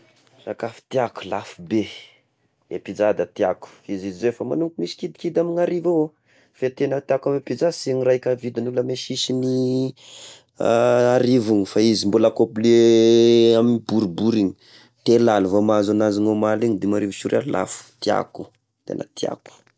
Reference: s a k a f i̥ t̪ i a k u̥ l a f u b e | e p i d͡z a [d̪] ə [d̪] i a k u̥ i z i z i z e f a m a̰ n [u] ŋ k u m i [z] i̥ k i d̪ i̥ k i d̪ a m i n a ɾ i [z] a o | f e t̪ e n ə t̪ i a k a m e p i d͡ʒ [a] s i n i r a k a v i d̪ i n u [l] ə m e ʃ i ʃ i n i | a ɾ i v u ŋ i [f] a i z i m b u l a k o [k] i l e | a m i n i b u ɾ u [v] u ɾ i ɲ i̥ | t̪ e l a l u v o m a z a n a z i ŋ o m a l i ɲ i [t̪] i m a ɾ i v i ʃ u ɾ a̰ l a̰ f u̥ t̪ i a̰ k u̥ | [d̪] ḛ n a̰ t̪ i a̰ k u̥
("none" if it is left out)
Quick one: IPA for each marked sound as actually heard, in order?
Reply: d̪, t̪, u, s, v, a, l, f, p, b, d̪, t̪

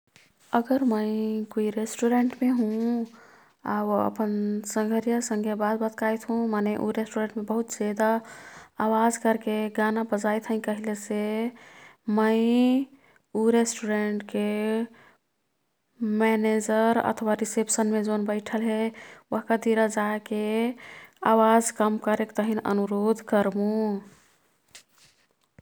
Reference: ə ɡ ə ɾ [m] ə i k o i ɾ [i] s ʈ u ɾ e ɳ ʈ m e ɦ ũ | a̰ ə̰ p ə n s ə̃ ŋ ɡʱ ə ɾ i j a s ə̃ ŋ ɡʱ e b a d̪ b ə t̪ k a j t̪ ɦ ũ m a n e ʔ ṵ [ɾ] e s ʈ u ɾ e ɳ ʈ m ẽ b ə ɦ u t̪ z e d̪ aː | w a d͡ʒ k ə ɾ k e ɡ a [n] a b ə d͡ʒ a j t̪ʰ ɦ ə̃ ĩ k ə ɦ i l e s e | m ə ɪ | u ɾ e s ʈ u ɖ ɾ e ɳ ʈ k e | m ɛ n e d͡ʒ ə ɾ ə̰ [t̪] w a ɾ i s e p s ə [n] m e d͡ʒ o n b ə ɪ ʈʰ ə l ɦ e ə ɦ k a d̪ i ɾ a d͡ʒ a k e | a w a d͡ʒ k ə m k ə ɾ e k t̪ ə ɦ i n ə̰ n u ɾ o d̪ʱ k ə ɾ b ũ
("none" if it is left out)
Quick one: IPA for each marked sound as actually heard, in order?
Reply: m, e, ɾ, n, t̪ʰ, n

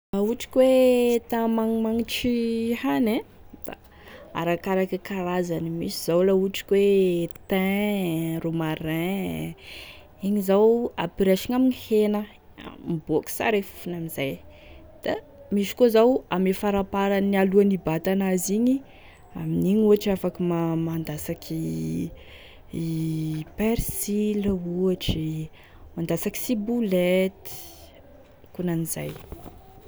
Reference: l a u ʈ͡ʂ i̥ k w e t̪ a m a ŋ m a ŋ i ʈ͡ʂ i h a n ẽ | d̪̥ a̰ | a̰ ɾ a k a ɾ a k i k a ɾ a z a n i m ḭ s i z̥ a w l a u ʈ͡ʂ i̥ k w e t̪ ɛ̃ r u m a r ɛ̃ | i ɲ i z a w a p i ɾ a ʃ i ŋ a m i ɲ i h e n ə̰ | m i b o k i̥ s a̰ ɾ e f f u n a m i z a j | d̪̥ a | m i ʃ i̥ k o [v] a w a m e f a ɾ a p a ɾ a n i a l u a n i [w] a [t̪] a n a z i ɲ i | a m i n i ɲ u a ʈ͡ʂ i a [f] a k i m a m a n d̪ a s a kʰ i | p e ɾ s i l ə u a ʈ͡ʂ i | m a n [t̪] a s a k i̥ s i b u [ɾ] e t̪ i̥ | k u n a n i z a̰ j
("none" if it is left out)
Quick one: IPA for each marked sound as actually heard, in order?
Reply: z, b, t̪, f, d̪, l

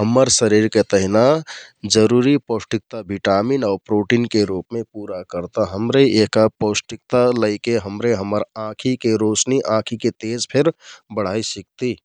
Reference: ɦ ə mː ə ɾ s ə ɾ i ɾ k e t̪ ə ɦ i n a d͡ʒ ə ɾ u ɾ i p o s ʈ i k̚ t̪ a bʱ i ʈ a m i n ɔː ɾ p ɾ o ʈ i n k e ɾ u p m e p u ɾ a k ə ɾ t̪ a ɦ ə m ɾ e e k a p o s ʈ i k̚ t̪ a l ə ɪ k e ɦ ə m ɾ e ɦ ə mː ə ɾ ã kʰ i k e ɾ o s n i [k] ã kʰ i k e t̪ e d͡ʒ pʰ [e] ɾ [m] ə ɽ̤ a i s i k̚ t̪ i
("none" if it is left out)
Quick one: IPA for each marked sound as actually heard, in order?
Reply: ʔ, e, b

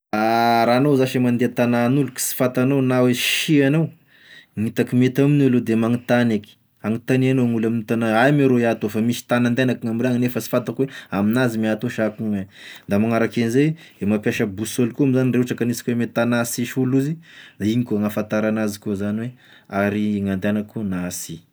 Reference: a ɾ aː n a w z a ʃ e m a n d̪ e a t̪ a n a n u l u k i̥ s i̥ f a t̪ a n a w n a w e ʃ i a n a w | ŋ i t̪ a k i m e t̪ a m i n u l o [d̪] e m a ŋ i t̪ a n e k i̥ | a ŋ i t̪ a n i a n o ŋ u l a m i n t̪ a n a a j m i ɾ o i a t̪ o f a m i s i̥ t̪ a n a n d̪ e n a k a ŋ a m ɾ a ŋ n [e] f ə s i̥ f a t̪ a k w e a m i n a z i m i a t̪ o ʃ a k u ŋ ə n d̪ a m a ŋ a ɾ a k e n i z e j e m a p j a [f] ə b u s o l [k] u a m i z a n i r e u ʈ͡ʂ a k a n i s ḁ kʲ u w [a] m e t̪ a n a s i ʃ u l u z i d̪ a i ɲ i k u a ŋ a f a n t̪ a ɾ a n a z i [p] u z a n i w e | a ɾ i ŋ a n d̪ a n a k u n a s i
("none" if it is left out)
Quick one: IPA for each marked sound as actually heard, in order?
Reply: d̪, e, ʃ, k, e, k

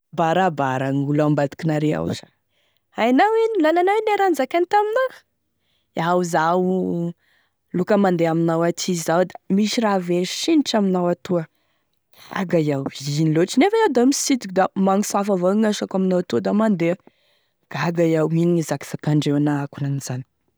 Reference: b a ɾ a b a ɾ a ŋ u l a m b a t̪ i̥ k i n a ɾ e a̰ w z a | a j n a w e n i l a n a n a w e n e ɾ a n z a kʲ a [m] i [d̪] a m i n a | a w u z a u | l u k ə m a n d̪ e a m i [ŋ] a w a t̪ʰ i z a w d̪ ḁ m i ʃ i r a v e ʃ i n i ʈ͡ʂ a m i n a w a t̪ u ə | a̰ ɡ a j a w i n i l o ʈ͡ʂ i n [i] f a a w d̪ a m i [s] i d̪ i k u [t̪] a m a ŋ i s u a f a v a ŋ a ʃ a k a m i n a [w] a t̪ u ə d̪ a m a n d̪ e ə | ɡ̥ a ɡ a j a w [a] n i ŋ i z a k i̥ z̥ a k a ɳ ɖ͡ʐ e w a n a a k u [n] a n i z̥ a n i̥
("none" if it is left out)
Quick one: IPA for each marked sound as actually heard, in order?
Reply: n, t̪, n, e, s, d̪, w, i, n

